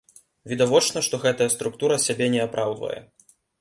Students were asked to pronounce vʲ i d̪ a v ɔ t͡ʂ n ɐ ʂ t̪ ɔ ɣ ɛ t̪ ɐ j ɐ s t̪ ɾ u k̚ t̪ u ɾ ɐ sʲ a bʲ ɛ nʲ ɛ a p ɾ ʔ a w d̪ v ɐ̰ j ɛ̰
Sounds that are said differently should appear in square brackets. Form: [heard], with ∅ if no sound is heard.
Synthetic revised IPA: vʲ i d̪ a v ɔ t͡ʂ n ɐ ʂ t̪ ɔ ɣ ɛ t̪ ɐ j ɐ s t̪ ɾ u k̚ t̪ u ɾ ɐ sʲ a bʲ ɛ nʲ ɛ a p ɾ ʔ a w d̪ v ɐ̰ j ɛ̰